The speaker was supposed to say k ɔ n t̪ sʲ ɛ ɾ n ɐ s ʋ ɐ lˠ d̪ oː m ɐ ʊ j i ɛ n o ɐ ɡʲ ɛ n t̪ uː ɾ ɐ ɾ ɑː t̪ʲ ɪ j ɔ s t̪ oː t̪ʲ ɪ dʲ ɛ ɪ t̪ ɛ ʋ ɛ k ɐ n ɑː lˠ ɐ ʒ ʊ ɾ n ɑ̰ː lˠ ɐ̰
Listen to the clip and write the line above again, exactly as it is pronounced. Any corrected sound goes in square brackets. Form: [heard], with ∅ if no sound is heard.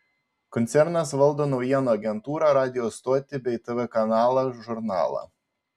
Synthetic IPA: k ɔ n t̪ sʲ ɛ ɾ n ɐ s ʋ ɐ lˠ d̪ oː [n] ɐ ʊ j i ɛ n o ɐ ɡʲ ɛ n t̪ uː ɾ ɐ ɾ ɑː [d̪ʲ] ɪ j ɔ s t̪ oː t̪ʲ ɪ [bʲ] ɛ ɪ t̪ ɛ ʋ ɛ k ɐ n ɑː lˠ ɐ ʒ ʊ ɾ n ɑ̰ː lˠ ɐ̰

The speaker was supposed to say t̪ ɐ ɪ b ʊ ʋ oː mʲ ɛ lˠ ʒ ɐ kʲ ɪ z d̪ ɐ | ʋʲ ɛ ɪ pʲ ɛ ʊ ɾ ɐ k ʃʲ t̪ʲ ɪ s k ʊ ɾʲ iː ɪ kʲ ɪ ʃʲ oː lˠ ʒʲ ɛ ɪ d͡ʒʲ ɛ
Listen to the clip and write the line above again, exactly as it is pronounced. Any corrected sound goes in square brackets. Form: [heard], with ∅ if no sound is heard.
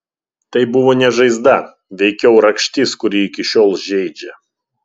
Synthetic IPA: t̪ ɐ ɪ b ʊ ʋ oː [nʲ] ɛ [∅] ʒ ɐ [∅] ɪ z d̪ ɐ | ʋʲ ɛ ɪ [kʲ] ɛ ʊ ɾ ɐ k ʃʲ t̪ʲ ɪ s k ʊ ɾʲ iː ɪ kʲ ɪ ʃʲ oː lˠ ʒʲ ɛ ɪ d͡ʒʲ ɛ

